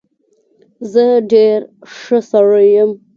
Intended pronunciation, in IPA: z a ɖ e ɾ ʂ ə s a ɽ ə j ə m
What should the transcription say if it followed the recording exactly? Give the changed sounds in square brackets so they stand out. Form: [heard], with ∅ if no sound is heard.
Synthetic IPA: z [ə] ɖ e ɾ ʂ ə s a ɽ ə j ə m